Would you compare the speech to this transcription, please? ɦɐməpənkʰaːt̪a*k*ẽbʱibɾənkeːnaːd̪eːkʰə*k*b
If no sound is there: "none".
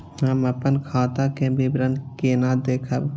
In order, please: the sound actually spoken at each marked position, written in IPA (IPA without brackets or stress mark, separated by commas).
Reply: k, none